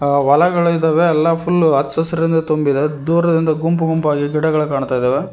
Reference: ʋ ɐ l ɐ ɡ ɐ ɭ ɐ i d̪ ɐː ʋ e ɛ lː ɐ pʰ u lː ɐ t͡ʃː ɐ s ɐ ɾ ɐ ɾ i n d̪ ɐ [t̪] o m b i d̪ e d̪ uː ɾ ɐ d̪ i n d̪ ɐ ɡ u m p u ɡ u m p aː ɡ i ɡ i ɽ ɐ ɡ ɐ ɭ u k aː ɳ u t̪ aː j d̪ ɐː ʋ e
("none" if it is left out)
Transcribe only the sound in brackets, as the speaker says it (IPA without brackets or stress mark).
t̪